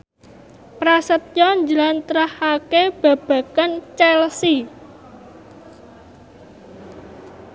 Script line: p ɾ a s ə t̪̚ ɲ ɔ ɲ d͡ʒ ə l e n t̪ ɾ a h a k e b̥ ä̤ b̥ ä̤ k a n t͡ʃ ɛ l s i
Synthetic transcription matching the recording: p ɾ a s ə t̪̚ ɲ ɔ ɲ d͡ʒ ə l a n t̪ ɾ a h a k e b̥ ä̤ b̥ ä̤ k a n t͡ʃ ɛ l s i